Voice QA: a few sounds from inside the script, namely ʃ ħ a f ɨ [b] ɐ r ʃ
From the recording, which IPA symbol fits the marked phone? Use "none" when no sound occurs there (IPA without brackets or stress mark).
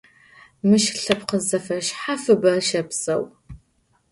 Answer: b